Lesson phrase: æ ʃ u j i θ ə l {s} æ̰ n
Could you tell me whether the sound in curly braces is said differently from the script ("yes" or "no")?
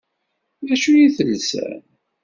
no